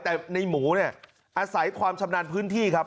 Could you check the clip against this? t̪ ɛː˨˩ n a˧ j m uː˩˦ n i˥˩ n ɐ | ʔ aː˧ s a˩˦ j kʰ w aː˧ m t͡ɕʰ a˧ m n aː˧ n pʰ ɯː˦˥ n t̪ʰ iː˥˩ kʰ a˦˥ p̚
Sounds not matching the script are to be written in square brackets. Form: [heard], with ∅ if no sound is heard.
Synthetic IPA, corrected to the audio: t̪ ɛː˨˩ n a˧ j m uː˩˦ n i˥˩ [∅] ɐ | ʔ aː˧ s a˩˦ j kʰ w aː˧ m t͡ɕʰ a˧ m n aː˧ n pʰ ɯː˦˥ n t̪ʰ iː˥˩ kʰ a˦˥ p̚